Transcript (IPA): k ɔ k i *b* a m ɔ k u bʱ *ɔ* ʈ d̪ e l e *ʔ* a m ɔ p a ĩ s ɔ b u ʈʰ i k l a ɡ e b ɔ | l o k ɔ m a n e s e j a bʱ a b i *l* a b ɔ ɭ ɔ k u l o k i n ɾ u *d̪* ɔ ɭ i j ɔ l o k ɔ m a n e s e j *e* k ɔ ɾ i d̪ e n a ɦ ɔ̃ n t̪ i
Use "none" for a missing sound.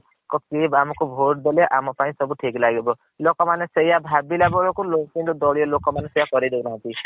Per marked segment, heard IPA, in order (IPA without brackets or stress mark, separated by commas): b, o, ʔ, l, d̪, a